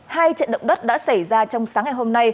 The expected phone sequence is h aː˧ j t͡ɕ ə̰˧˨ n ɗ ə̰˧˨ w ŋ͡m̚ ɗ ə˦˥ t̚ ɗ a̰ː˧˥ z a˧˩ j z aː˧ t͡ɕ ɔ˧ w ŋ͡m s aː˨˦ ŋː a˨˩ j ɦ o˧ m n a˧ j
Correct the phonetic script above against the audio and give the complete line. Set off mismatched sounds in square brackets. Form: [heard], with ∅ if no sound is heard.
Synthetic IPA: h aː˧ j t͡ɕ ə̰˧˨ n ɗ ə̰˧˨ w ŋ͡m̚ ɗ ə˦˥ t̚ ɗ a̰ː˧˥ [s] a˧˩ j z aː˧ t͡ɕ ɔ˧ w ŋ͡m s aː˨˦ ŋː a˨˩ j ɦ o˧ m n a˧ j